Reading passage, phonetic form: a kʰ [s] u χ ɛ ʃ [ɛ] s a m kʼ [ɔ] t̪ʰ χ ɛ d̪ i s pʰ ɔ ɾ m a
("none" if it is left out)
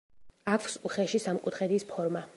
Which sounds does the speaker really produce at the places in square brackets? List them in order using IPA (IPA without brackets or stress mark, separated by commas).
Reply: s, i, u